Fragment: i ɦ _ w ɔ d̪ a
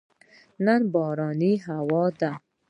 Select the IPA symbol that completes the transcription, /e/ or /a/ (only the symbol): a